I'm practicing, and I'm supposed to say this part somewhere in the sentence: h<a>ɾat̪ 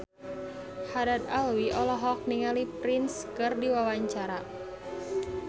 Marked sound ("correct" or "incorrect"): correct